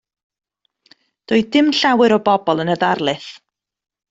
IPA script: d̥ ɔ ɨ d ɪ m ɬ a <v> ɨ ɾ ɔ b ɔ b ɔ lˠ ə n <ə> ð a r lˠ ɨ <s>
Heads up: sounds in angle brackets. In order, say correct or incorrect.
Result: incorrect, correct, incorrect

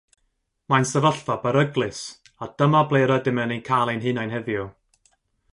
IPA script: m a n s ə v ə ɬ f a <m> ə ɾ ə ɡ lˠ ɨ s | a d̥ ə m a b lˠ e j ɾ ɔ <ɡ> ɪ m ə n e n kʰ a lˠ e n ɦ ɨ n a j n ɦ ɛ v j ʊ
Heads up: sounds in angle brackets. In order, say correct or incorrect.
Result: incorrect, incorrect

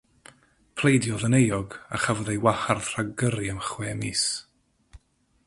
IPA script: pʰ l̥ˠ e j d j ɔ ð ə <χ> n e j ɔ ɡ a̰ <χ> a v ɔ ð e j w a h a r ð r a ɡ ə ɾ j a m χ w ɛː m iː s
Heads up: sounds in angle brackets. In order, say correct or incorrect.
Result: incorrect, correct

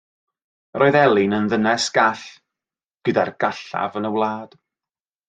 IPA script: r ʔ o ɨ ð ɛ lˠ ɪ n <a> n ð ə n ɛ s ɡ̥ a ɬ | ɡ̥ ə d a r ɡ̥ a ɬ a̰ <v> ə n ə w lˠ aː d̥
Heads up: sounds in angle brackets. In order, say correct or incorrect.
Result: incorrect, correct

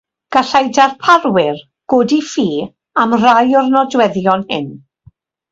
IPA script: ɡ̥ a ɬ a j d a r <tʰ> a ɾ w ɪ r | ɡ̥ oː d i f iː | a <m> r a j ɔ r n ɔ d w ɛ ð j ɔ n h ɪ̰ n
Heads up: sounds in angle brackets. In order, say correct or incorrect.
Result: incorrect, correct

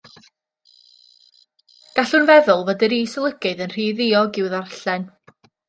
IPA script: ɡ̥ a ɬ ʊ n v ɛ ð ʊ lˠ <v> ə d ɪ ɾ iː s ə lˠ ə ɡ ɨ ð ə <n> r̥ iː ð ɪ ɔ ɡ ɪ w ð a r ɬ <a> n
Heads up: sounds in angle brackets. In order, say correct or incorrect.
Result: correct, correct, incorrect

